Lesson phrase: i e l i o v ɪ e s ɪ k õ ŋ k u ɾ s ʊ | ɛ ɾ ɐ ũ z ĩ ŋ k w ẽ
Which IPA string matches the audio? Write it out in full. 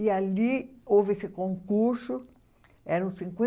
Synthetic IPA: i a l i o v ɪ e s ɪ k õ ŋ k u ɾ s ʊ | ɛ ɾ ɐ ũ s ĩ ŋ k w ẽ